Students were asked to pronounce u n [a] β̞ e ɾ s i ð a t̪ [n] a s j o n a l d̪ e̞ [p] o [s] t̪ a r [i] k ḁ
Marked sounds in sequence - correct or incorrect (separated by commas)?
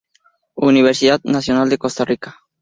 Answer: incorrect, correct, incorrect, correct, correct